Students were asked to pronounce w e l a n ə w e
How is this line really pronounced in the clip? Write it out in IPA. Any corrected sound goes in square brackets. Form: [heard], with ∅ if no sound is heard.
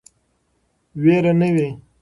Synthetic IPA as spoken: w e [ɾ] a n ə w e